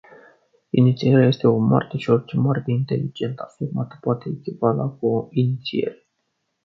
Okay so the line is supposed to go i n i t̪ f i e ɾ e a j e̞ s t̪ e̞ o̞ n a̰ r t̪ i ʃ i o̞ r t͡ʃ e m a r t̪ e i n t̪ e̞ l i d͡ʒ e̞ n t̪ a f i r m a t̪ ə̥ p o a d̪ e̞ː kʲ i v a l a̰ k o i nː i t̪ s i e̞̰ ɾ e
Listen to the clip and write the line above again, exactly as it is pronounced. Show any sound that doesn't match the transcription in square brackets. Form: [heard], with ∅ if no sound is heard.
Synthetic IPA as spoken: i n i t̪ [s] i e ɾ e a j e̞ s t̪ e̞ o̞ [m] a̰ r t̪ [e] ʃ i o̞ r t͡ʃ e m a r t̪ e i n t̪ e̞ l i d͡ʒ e̞ n t̪ a f i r m a t̪ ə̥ p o a [t̪] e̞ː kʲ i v a l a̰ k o i [n] i t̪ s i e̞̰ ɾ e